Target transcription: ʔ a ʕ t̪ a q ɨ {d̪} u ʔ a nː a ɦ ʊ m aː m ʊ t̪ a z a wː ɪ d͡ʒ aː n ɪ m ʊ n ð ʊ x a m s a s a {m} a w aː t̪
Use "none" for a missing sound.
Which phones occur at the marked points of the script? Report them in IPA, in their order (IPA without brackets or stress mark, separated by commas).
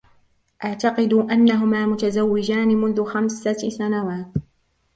d̪, n